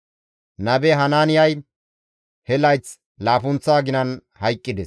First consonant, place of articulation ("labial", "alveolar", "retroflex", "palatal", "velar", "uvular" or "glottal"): alveolar